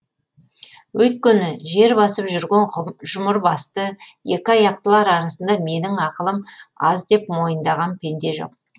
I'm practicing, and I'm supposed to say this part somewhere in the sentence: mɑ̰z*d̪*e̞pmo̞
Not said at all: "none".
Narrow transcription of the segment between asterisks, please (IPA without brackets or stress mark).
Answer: d̪